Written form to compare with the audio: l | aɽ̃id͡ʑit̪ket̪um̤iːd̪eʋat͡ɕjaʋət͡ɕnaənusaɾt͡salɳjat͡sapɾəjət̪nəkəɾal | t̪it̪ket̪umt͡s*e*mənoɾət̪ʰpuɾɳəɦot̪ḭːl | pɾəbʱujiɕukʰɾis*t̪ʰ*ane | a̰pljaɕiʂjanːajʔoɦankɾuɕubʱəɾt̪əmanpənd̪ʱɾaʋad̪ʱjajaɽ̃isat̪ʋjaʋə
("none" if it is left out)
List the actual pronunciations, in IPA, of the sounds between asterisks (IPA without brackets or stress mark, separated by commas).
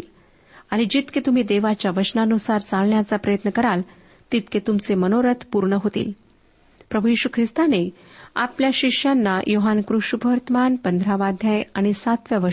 e, t̪